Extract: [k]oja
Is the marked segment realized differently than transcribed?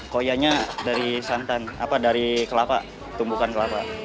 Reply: no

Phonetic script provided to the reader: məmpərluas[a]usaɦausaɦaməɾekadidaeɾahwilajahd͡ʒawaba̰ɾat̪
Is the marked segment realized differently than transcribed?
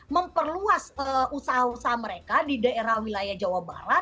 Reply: yes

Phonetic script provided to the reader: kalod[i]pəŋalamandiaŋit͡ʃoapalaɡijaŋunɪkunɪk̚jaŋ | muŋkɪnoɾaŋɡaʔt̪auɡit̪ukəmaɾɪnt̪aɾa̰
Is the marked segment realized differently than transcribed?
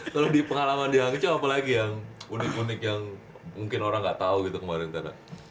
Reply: no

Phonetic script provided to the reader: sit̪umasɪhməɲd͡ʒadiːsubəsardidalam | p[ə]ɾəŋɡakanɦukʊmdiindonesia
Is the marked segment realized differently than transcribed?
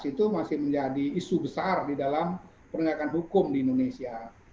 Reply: no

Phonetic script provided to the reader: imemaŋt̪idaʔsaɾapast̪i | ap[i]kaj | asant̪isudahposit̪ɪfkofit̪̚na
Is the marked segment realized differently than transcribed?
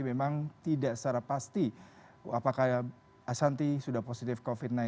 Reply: yes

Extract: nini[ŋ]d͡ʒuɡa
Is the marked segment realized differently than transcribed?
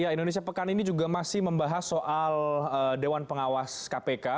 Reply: yes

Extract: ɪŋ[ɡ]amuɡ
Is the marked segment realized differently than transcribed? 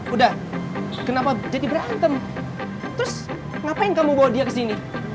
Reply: yes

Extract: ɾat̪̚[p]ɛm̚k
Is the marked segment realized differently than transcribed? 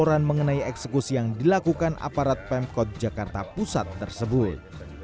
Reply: no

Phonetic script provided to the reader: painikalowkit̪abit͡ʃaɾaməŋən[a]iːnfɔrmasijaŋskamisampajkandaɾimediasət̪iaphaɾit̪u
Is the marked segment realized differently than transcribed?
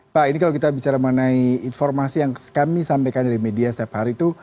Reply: no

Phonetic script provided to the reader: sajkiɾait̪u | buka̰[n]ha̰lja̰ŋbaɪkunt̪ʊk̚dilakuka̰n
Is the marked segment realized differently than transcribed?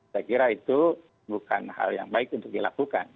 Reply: no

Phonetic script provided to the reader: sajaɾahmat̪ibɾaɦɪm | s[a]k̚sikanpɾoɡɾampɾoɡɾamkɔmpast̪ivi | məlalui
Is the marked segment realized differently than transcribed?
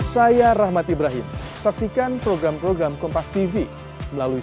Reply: no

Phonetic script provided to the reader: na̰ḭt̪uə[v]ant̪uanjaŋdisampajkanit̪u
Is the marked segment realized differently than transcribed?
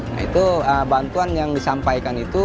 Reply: yes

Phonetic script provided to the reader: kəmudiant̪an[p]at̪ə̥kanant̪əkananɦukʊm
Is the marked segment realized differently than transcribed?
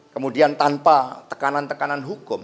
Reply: no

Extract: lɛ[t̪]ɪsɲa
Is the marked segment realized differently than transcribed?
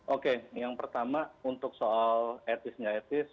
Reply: no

